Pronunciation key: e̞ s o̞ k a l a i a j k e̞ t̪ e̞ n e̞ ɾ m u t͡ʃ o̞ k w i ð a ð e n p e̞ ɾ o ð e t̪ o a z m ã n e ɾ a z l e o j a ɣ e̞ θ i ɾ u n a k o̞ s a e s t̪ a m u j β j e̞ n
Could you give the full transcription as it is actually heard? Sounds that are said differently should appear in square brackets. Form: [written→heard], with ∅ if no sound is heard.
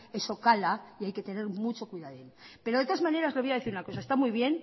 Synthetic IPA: e̞ s o̞ k a l a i a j k e̞ t̪ e̞ n e̞ ɾ m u t͡ʃ o̞ k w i ð a ð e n p e̞ ɾ o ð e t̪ o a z m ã n e ɾ a z l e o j a [ɣ→ð] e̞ θ i ɾ u n a k o̞ s a e s t̪ a m u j β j e̞ n